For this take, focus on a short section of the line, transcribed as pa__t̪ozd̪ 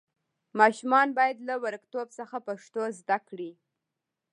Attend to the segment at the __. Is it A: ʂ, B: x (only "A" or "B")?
A